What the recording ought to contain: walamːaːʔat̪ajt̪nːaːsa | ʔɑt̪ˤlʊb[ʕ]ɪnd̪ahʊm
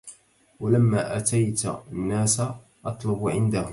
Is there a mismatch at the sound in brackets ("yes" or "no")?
no